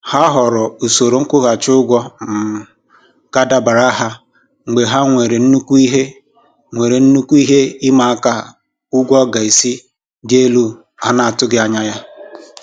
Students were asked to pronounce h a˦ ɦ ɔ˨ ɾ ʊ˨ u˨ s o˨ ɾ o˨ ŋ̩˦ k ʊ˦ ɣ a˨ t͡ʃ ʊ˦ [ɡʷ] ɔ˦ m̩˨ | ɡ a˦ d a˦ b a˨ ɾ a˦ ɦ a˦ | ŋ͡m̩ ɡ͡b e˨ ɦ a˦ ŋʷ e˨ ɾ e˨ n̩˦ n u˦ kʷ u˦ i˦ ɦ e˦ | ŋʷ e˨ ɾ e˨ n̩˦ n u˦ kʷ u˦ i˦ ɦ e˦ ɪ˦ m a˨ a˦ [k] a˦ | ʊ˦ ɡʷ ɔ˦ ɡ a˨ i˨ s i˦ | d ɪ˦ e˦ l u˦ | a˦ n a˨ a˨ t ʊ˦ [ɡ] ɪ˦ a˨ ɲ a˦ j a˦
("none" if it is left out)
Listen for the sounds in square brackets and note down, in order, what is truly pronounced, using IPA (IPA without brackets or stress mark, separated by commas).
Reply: ɡʷ, k, ɡ